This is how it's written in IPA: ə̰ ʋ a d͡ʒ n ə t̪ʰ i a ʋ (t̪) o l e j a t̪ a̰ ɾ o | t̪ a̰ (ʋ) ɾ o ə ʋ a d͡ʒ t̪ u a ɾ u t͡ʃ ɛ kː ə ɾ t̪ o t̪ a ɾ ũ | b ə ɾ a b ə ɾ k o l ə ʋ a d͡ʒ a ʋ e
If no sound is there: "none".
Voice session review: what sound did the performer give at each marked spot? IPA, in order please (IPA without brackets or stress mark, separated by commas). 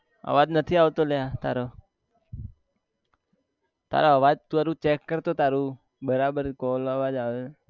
t̪, none